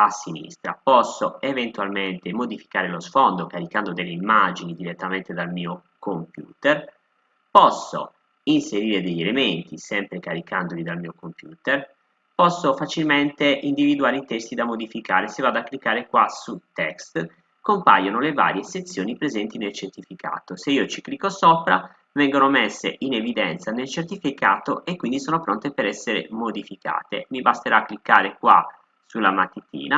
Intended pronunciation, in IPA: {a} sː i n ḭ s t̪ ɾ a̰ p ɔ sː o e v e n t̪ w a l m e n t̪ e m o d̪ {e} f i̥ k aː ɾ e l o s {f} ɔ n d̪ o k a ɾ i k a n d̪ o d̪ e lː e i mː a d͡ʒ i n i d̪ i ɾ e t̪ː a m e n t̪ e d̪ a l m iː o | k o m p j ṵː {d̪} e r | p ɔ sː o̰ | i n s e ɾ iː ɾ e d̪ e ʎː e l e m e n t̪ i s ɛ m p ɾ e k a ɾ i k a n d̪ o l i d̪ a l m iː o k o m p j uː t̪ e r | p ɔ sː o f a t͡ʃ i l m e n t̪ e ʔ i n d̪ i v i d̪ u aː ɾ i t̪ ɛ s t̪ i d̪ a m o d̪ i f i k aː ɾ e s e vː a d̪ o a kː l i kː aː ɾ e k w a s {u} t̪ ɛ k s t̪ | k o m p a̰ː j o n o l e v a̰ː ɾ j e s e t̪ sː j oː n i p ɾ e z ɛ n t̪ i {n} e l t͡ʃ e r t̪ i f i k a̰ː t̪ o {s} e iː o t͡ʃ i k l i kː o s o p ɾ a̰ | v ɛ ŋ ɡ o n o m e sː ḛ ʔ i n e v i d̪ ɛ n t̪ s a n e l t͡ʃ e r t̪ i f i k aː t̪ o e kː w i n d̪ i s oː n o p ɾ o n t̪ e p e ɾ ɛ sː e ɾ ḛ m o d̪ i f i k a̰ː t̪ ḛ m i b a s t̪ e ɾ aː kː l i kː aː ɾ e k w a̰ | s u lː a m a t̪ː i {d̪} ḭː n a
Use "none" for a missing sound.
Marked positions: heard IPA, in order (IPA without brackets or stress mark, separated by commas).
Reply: a, i, f, t̪, u, n, s, t̪